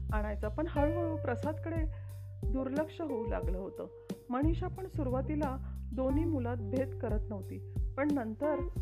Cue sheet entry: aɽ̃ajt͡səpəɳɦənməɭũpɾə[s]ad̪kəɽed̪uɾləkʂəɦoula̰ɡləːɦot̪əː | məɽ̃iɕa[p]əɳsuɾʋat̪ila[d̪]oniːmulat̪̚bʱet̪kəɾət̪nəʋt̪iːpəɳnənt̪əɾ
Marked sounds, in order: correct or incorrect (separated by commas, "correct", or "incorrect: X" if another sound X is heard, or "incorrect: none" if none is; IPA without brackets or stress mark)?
correct, correct, correct